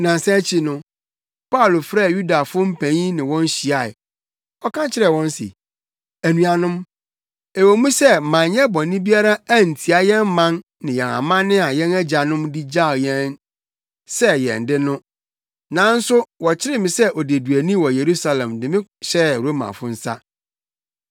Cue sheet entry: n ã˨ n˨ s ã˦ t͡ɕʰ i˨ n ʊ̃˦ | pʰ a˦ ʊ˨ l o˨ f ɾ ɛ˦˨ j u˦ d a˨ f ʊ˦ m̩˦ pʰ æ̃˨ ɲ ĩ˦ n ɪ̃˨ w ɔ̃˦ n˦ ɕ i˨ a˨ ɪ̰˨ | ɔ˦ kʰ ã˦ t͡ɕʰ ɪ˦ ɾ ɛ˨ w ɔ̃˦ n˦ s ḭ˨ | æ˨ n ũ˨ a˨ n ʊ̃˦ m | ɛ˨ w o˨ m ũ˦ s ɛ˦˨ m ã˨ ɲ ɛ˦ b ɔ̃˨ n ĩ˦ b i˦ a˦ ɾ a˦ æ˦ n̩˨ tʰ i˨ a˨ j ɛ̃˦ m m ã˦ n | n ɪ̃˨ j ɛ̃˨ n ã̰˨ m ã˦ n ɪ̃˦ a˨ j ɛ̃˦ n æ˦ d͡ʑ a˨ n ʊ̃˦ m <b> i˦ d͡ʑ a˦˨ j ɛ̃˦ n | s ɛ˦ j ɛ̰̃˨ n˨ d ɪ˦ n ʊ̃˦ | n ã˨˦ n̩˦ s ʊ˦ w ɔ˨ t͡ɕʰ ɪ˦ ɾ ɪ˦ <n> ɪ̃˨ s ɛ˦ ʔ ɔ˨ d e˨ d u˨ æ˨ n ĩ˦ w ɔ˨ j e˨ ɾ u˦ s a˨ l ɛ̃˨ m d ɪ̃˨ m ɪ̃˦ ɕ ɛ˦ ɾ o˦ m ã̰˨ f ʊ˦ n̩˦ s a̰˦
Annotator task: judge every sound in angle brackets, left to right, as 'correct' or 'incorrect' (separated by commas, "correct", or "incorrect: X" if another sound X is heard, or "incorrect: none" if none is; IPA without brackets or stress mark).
incorrect: d, incorrect: m